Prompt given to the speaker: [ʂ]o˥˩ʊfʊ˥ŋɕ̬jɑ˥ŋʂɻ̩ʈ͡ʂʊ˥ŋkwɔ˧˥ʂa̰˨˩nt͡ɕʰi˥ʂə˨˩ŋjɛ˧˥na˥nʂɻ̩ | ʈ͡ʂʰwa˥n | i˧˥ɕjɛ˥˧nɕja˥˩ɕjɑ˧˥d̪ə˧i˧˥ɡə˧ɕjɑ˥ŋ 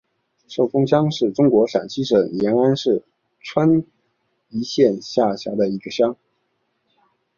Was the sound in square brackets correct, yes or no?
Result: yes